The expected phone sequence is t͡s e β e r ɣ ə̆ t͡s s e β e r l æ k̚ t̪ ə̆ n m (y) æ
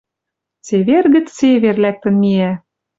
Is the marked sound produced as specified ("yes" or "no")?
no